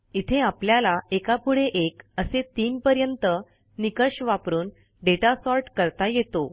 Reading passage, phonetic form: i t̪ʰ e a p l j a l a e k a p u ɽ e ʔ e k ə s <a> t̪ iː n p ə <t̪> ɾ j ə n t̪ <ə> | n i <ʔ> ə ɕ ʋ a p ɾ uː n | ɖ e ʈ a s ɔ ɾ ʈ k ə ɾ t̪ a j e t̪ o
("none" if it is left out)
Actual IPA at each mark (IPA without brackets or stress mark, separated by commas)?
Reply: e, none, ə, k